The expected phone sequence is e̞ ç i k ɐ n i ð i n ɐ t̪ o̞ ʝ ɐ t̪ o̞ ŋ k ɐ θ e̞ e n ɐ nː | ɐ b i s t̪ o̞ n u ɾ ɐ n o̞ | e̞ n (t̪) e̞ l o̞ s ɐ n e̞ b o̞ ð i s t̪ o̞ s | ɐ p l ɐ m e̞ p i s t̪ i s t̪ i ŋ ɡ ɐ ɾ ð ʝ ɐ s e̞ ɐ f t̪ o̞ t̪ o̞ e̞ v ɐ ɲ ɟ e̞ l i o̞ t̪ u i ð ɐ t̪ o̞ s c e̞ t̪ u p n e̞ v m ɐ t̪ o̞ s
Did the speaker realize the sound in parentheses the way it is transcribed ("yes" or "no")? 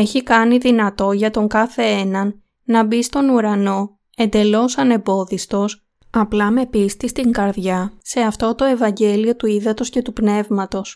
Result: no